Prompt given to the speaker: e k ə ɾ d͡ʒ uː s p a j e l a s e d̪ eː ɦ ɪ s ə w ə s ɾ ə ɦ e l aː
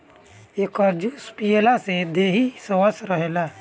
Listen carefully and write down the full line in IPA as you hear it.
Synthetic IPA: e k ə ɾ d͡ʒ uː s p i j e l a s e d̪ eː ɦ i s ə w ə s ɾ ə ɦ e l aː